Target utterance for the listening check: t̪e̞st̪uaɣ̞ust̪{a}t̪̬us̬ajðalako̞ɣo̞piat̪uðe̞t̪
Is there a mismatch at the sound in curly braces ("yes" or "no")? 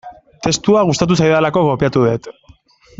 no